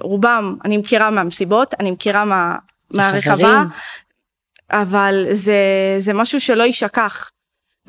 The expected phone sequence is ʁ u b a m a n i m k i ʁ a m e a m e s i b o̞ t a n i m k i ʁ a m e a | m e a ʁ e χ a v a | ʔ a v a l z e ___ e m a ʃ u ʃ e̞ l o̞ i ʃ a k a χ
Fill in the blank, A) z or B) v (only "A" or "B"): A